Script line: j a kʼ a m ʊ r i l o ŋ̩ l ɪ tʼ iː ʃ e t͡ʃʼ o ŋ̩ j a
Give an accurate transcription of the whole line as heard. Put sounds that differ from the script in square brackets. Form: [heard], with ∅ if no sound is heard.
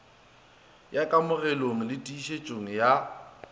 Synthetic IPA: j a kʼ a m ʊ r [ɛ] l o ŋ̩ l ɪ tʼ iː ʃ e t͡ʃʼ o ŋ̩ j a